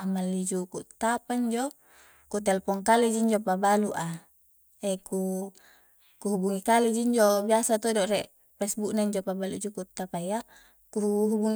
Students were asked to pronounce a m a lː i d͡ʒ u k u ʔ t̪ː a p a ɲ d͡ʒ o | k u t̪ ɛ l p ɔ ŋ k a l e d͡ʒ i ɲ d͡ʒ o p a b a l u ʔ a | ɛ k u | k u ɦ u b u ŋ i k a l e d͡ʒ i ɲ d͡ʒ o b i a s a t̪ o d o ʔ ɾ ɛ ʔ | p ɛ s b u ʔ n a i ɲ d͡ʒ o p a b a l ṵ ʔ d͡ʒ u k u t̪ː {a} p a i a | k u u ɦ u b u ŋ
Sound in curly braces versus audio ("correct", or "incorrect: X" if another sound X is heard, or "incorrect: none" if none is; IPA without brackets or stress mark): correct